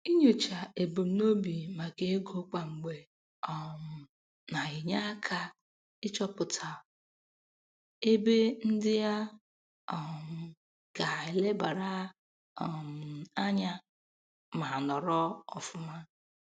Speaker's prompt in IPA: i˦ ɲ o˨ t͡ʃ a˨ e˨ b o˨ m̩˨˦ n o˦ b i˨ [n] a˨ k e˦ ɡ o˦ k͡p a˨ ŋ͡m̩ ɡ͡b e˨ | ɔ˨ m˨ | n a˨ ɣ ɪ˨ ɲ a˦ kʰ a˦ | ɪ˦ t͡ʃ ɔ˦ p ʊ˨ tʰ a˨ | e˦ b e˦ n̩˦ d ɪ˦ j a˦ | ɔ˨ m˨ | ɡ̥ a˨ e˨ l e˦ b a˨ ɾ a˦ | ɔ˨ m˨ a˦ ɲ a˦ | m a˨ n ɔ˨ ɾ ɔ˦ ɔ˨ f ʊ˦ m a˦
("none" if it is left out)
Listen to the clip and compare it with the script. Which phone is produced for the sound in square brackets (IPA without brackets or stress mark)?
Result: m